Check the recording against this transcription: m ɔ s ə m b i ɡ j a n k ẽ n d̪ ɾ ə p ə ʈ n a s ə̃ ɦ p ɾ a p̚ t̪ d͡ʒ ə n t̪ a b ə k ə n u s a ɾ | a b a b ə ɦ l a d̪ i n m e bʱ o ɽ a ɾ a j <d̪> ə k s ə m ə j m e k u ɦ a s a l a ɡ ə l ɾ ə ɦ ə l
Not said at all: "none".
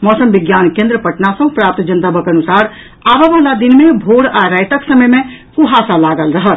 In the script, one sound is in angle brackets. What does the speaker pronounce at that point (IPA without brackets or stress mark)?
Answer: t̪